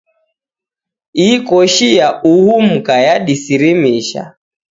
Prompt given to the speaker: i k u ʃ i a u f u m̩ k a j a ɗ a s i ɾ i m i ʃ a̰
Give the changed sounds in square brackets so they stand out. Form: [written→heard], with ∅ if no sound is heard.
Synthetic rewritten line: i k [u→ɔ] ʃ i a u [f→h] u m̩ k a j a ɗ [a→i] s i ɾ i m i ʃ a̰